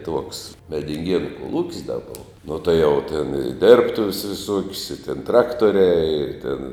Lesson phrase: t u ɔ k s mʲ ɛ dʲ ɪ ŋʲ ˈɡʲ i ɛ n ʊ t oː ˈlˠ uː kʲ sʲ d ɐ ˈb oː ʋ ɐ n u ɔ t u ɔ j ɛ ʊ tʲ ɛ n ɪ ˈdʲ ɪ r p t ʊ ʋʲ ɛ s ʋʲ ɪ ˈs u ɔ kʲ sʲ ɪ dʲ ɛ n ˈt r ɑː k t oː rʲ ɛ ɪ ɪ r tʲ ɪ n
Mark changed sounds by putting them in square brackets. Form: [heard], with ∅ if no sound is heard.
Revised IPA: t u ɔ k s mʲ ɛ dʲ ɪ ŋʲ ˈɡʲ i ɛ n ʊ [k] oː ˈlˠ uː kʲ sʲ d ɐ ˈb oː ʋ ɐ n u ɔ t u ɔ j ɛ ʊ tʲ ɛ n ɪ ˈdʲ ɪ r p t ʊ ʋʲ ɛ s ʋʲ ɪ ˈs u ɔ kʲ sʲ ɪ [tʲ] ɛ n ˈt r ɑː k t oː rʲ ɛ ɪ ɪ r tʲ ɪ n

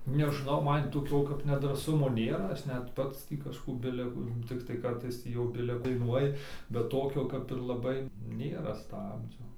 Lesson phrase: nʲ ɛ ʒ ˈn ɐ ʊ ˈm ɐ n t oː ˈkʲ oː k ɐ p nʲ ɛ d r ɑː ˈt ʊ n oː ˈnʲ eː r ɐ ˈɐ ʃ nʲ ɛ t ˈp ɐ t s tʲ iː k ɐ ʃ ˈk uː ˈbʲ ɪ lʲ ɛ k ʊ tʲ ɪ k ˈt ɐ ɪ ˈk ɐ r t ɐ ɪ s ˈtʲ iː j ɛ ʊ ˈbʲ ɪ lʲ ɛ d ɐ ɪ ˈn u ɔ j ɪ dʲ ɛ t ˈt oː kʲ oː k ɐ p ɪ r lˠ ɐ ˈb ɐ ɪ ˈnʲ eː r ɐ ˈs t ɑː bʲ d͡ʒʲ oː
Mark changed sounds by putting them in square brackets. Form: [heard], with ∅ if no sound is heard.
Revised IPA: nʲ ɛ ʒ ˈn ɐ ʊ ˈm ɐ n t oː ˈkʲ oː k ɐ p nʲ ɛ d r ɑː [ˈs] ʊ [m] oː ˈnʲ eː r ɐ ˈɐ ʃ nʲ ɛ t ˈp ɐ t s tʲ iː k ɐ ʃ ˈk uː ˈbʲ ɪ lʲ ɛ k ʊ tʲ ɪ k ˈt ɐ ɪ ˈk ɐ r t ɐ ɪ s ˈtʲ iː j ɛ ʊ ˈbʲ ɪ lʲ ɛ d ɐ ɪ ˈn u ɔ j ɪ [bʲ] ɛ t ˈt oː kʲ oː k ɐ p ɪ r lˠ ɐ ˈb ɐ ɪ ˈnʲ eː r ɐ ˈs t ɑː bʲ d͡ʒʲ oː

